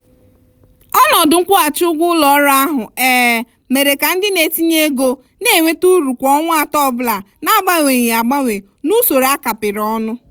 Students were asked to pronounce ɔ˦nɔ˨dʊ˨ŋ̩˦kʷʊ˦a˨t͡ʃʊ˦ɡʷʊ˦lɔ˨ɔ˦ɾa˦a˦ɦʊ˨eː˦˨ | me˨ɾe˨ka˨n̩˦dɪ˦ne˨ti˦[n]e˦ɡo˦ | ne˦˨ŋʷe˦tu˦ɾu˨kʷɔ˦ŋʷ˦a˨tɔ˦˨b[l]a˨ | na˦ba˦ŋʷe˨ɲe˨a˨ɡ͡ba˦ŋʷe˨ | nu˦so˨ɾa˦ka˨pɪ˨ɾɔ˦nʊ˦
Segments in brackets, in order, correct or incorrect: incorrect: ɲ, correct

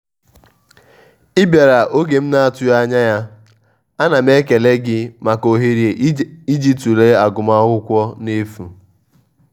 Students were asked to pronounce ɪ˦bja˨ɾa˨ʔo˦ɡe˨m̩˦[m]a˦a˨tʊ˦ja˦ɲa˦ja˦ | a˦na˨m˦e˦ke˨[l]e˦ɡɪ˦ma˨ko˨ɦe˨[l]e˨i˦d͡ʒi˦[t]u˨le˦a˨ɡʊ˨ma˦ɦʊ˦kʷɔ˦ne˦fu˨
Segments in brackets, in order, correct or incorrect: incorrect: n, correct, incorrect: ɾ, correct

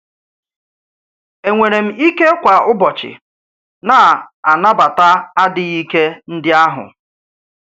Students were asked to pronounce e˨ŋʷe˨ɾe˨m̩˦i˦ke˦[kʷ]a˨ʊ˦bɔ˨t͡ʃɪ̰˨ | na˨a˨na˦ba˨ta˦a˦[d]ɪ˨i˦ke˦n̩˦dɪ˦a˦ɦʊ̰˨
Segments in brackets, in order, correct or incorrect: correct, correct

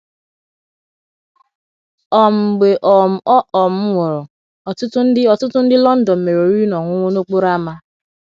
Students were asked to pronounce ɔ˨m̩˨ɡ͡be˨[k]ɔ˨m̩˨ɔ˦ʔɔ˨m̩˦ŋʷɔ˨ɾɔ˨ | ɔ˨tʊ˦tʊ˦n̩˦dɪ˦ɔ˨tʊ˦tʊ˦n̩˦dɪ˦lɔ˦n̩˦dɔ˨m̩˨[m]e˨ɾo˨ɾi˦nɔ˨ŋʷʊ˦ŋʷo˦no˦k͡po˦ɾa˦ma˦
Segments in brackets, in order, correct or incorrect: incorrect: ʔ, correct

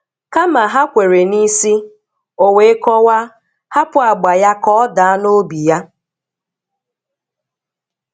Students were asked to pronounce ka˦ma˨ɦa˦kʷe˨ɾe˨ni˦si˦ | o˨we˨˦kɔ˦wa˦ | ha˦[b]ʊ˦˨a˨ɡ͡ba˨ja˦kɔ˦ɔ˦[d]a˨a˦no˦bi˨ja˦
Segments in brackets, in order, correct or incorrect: incorrect: p, correct

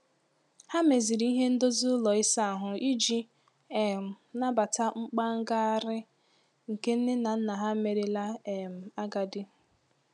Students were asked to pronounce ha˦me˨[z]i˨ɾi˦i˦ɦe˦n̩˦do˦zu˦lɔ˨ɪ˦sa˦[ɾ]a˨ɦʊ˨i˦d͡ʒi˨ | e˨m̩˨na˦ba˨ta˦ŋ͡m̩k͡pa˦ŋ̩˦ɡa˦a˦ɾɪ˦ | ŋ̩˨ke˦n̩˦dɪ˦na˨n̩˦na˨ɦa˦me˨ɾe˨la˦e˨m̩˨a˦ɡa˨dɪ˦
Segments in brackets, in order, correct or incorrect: correct, incorrect: none

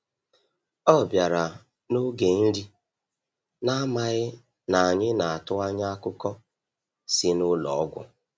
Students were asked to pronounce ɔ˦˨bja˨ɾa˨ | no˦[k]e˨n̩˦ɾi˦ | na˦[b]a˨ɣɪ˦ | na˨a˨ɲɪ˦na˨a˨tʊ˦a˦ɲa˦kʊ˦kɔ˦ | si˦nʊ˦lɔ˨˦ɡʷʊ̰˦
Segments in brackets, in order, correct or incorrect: incorrect: ɡ, incorrect: m

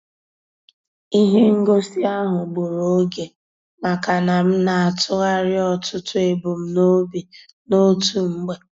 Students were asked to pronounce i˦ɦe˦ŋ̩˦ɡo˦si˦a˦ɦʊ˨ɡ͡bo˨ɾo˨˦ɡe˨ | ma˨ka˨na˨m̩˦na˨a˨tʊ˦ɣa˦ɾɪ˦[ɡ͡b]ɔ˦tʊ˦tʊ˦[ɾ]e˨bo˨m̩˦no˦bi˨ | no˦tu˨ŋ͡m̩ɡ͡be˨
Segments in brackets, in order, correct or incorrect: incorrect: none, incorrect: none

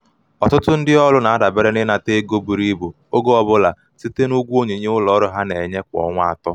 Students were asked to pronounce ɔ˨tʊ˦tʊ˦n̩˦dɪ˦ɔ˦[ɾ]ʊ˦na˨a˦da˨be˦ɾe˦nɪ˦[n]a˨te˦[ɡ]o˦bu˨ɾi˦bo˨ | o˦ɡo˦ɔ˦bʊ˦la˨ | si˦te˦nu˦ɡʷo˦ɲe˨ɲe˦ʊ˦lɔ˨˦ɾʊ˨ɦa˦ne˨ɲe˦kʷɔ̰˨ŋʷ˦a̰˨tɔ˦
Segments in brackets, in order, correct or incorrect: incorrect: l, correct, correct

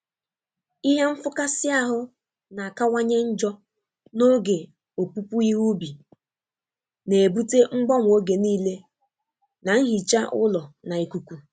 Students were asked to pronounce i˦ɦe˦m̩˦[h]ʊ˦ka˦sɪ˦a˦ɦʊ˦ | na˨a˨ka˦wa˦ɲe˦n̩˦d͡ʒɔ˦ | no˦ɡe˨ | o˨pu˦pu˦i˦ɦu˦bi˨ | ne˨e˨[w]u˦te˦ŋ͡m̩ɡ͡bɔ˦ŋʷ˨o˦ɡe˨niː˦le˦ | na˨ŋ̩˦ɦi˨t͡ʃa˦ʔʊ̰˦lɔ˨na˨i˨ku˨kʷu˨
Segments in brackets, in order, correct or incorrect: incorrect: f, incorrect: b

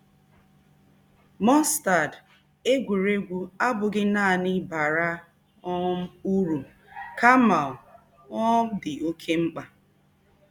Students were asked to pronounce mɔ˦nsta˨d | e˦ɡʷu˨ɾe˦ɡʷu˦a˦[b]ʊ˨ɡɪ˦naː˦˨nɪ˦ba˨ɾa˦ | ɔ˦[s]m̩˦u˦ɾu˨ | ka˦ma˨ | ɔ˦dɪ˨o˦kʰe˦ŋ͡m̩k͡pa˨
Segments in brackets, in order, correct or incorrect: correct, incorrect: none

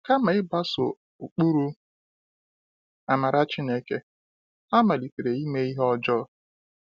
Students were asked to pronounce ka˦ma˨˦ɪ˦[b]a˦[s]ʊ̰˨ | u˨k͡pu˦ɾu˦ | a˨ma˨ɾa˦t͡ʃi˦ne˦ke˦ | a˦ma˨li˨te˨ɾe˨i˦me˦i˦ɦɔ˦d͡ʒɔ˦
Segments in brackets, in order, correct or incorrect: correct, correct

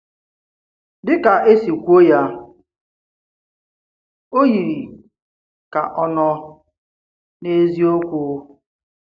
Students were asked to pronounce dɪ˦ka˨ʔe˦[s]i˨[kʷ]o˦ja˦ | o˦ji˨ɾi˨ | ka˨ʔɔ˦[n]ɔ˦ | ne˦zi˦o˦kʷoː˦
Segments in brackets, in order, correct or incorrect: correct, correct, correct

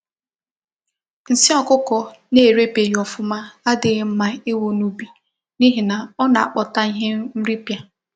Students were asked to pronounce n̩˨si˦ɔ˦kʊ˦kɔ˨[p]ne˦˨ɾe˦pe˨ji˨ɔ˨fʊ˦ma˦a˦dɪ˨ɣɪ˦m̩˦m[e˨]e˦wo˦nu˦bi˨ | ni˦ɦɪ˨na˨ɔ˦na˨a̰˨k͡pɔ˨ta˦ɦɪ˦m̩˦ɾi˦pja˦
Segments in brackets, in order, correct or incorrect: incorrect: none, incorrect: a˨

